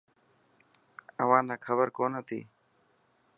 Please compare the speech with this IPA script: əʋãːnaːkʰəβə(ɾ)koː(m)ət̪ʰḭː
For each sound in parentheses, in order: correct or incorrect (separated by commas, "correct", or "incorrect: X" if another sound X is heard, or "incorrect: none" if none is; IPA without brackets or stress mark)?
correct, incorrect: n